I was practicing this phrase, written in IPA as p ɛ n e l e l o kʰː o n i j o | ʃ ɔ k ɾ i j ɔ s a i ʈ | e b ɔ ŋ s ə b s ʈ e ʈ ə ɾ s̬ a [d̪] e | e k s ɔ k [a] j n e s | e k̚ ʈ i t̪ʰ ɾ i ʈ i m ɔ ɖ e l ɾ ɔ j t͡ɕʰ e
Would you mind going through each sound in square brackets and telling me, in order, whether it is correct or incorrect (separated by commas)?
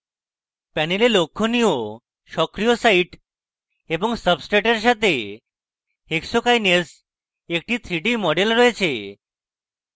incorrect, correct